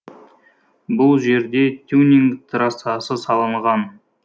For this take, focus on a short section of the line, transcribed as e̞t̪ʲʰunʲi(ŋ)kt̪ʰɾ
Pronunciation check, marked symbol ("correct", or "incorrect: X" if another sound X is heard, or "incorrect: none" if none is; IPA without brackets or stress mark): correct